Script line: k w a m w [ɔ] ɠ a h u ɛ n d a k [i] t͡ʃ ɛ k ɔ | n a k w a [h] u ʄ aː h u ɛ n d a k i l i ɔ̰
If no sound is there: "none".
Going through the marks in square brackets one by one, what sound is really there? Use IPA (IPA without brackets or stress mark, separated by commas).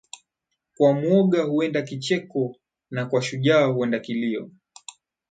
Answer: ɔ, i, ʃ